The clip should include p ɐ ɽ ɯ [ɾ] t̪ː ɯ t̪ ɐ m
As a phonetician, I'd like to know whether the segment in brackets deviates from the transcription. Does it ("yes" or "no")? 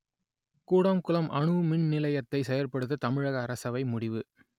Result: yes